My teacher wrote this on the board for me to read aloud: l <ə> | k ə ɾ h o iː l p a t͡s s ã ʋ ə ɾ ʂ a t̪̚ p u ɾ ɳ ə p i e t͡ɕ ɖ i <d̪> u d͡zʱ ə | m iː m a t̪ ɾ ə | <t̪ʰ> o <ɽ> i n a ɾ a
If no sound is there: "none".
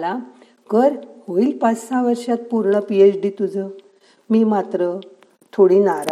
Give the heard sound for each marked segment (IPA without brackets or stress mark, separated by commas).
a, t̪, t̪ʰ, ɽ